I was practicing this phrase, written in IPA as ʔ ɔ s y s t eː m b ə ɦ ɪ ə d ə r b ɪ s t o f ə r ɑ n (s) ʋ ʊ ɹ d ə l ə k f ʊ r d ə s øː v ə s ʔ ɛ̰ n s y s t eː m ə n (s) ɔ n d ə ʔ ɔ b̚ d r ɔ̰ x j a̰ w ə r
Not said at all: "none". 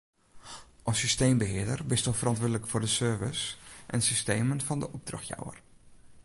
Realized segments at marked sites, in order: t, f

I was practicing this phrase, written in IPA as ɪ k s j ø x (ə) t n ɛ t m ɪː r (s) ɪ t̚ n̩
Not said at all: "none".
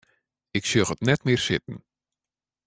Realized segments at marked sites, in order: ə, s

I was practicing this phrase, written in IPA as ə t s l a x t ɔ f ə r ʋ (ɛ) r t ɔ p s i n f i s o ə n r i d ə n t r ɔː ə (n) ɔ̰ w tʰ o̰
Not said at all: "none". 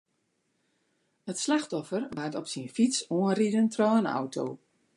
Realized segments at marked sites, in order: a, n

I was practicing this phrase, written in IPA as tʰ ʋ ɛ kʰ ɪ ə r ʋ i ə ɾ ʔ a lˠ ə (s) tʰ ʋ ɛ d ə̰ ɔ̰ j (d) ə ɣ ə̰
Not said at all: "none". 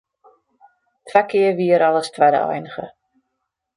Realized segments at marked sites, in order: s, n

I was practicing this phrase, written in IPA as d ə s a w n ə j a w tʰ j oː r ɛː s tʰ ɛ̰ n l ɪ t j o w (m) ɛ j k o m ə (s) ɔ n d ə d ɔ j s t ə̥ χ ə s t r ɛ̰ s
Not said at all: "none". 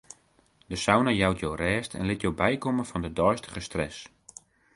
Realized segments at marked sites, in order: b, f

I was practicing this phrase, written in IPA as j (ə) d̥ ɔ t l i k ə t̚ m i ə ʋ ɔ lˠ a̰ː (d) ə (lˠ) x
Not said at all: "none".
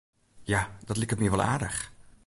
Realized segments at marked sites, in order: a, d, none

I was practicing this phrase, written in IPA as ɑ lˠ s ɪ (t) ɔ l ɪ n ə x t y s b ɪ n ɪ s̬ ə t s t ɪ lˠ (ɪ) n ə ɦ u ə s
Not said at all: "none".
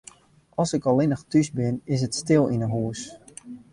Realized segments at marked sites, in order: k, i

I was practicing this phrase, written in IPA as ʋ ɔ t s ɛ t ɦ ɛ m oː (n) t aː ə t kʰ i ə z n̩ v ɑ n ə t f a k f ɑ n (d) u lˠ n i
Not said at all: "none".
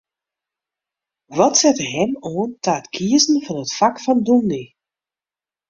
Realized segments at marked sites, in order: n, d

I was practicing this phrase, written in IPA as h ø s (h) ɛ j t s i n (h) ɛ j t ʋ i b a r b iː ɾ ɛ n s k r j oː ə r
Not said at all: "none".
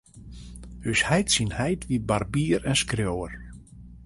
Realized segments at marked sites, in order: h, h

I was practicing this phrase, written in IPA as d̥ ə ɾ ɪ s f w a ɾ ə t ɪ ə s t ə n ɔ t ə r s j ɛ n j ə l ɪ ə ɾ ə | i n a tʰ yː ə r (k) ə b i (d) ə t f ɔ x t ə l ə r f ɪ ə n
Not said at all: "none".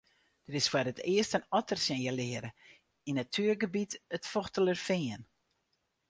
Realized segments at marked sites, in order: ɡ, t

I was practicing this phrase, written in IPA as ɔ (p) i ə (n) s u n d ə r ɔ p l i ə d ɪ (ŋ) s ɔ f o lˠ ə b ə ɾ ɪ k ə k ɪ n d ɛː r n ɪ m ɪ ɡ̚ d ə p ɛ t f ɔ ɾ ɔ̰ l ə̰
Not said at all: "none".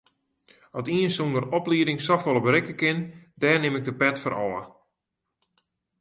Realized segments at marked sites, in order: t, n, ŋ

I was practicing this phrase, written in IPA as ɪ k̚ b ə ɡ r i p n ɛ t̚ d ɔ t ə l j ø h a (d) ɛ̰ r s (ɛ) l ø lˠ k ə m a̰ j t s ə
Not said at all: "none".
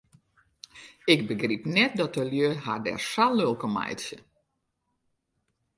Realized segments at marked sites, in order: d, a

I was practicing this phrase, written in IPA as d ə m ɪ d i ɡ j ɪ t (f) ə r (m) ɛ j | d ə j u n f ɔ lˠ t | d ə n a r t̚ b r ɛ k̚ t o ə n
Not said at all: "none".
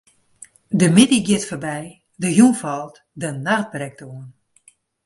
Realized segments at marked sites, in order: f, b

